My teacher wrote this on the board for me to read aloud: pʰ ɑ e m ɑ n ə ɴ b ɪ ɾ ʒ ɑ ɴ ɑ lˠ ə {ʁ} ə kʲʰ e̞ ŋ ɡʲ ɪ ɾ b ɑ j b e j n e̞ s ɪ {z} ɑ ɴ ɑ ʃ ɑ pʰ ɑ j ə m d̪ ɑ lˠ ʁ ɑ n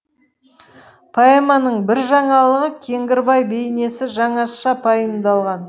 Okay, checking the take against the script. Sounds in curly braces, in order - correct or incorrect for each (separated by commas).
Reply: correct, incorrect